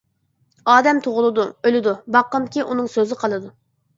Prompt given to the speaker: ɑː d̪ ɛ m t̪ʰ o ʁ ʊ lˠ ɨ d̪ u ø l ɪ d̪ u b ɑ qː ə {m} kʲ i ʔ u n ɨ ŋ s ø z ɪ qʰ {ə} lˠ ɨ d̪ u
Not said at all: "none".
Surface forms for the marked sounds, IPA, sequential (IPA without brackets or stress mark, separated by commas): m, ɑ